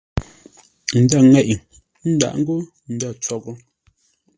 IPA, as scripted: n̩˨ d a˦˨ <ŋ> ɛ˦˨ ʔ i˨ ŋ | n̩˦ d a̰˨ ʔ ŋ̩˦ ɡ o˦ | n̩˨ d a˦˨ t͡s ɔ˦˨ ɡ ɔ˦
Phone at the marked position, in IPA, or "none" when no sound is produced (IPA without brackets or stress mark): ŋ